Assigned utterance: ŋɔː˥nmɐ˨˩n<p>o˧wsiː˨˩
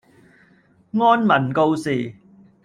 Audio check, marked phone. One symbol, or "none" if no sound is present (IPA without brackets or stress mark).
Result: k